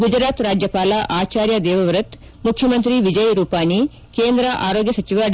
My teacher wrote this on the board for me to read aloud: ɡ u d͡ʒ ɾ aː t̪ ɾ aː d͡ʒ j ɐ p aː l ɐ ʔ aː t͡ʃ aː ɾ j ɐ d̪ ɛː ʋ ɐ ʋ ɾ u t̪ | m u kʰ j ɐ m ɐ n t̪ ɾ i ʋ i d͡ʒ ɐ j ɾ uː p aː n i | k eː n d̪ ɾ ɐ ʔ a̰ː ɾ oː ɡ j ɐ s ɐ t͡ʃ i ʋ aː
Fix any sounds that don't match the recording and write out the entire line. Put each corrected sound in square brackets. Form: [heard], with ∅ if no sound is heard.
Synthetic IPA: ɡ u d͡ʒ ɾ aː t̪ ɾ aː d͡ʒ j ɐ p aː l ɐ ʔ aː t͡ʃ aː ɾ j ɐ d̪ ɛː ʋ ɐ ʋ ɾ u t̪ | m u kʰ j ɐ m ɐ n t̪ ɾ i ʋ i d͡ʒ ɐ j ɾ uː p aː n i | k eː n d̪ ɾ ɐ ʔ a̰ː ɾ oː ɡ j ɐ s ɐ t͡ʃ i ʋ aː